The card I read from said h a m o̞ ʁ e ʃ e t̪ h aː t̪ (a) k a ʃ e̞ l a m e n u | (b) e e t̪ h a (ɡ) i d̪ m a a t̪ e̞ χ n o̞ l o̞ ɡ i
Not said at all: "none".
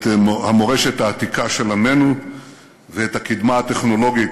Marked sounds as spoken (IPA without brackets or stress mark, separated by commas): i, v, k